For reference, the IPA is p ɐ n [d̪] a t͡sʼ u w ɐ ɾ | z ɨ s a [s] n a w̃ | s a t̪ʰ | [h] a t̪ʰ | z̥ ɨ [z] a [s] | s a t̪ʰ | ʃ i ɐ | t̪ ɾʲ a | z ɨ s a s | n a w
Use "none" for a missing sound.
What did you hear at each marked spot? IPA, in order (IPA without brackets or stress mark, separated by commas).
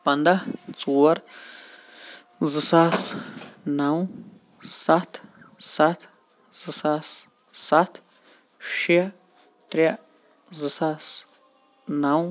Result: d̪, s, s, s, s